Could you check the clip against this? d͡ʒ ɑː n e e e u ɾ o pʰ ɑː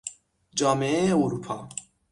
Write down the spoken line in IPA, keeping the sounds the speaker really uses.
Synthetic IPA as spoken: d͡ʒ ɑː m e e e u ɾ u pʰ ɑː